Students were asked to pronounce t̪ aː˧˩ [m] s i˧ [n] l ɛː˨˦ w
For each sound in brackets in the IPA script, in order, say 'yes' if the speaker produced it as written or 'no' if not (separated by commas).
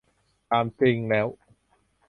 yes, no